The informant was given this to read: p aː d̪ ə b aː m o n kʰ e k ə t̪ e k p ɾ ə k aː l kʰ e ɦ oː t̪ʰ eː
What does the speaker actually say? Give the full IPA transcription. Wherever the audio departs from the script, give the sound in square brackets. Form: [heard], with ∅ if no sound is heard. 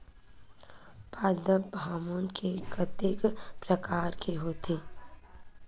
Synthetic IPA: p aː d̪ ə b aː m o n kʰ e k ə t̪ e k p ɾ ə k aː [ɾ] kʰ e ɦ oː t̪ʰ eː